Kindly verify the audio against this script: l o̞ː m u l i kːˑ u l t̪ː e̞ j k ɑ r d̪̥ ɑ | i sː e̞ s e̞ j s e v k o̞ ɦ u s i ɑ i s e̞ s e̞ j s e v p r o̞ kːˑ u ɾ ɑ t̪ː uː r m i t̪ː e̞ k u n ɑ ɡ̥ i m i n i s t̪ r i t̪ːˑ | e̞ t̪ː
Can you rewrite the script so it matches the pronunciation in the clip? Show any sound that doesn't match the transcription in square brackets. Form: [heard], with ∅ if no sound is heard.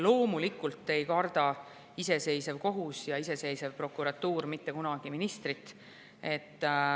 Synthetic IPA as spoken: l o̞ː m u l i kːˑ u l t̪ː e̞ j k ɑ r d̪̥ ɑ | i [s] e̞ s e̞ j s e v k o̞ ɦ u s [j] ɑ i s e̞ s e̞ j s e v p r o̞ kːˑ u ɾ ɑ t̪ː uː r m i t̪ː e̞ k u n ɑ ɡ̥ i m i n i s t̪ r i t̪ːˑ | e̞ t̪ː